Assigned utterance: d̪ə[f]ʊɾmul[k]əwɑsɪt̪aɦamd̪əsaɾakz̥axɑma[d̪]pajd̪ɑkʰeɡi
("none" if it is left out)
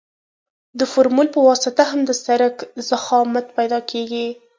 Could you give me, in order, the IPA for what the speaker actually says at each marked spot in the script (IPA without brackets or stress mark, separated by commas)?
f, p, t̪